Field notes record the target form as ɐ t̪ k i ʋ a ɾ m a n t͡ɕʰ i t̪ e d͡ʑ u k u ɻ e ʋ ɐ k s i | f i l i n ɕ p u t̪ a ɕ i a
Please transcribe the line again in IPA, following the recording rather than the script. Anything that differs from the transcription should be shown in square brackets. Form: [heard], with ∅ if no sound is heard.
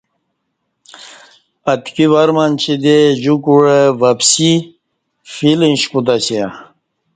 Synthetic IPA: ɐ t̪ k i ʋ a ɾ m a n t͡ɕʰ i [d̪] e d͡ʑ u k u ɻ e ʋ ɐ [p] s i | f i l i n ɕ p u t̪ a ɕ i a